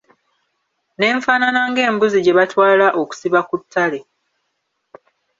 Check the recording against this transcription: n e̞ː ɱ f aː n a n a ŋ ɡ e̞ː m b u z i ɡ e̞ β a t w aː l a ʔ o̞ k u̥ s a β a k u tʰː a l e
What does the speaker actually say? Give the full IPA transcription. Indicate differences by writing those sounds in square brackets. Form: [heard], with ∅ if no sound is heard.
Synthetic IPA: n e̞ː ɱ f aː n a n a ŋ ɡ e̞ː m b u z i [ɟ] e̞ β a t w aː l a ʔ o̞ k u̥ s [i] β a k u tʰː a l e